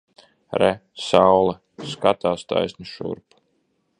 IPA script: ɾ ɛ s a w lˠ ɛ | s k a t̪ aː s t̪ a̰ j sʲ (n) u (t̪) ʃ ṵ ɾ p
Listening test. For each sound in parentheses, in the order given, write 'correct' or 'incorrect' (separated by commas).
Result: correct, incorrect